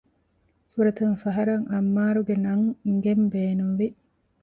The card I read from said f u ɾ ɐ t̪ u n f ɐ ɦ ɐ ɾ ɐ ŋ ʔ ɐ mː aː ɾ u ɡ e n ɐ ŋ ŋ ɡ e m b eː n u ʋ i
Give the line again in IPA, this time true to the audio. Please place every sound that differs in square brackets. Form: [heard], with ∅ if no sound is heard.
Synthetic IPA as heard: f u ɾ ɐ t̪ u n f ɐ ɦ ɐ ɾ ɐ ŋ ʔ ɐ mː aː ɾ u ɡ e n ɐ ŋ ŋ ɡ e m b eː n u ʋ i